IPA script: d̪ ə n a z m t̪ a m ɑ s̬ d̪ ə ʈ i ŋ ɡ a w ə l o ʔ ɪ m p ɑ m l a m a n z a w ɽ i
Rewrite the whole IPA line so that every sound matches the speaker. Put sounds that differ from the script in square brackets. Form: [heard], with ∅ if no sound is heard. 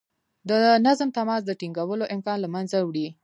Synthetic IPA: d̪ ə n a z m t̪ a m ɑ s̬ d̪ ə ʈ i ŋ ɡ a w ə l o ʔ ɪ m [k] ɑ [n] l a m a n z a w ɽ i